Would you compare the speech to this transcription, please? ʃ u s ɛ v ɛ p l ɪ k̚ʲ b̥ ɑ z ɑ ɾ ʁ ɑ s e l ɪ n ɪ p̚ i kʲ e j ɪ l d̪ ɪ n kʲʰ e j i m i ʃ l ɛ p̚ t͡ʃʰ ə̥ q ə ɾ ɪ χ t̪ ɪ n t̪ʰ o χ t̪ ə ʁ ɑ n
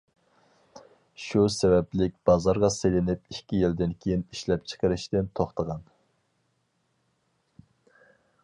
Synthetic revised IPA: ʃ u s ɛ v ɛ p l ɪ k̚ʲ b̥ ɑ z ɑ ɾ ʁ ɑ s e l ɪ n ɪ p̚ i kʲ i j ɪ l d̪ ɪ n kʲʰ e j i n i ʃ l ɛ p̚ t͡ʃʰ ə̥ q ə ɾ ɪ ʃ t̪ ɪ n t̪ʰ o χ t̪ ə ʁ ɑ n